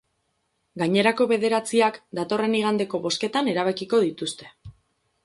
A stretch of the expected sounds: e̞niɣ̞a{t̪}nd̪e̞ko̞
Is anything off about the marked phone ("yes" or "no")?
yes